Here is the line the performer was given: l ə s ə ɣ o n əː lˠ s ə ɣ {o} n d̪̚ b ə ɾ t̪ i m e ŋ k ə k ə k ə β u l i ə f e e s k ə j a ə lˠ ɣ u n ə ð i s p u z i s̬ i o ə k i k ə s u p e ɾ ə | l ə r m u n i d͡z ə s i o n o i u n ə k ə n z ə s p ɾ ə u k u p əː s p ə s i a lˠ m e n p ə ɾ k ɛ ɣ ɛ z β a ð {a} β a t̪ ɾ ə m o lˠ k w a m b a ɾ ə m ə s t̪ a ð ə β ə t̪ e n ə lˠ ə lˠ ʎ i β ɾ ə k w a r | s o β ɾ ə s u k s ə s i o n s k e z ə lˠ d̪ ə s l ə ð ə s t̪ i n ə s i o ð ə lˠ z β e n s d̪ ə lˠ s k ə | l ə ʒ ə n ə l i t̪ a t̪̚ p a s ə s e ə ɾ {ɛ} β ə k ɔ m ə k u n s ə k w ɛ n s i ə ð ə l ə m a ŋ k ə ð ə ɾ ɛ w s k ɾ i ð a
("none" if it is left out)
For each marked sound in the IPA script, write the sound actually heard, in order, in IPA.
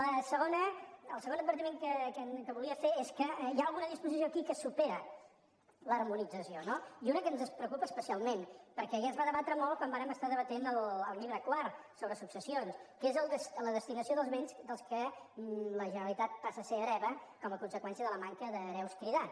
o, ə, ɛ

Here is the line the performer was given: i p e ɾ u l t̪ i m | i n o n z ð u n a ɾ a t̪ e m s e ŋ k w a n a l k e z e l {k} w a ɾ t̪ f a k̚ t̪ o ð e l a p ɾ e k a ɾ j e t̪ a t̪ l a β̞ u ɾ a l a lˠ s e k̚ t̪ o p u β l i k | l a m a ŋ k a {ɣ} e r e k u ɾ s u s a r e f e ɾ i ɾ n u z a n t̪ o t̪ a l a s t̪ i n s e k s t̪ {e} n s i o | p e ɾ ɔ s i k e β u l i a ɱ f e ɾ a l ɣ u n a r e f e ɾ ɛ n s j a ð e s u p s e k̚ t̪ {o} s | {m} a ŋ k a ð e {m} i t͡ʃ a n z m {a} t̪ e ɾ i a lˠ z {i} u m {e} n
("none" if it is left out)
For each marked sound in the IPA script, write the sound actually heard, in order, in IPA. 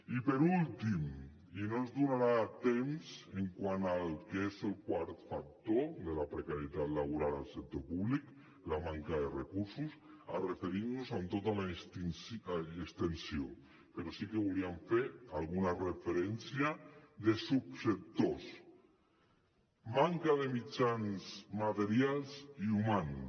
k, ð, e, o, m, m, a, i, a

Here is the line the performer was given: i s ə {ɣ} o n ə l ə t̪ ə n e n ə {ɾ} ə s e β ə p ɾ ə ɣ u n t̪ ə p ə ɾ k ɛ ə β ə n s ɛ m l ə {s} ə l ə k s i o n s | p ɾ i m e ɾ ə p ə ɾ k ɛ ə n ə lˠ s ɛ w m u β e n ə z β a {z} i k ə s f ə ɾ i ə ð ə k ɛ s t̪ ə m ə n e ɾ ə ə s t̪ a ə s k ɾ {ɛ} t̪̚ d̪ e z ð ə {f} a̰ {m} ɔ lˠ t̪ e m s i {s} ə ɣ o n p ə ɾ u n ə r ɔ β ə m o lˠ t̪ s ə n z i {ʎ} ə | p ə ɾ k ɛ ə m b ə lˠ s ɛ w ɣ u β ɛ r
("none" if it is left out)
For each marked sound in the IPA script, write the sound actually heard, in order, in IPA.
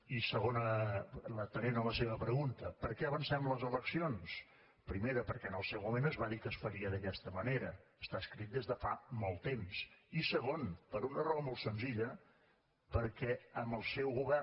ɣ, l, z, ð, i, f, m, s, ʎ

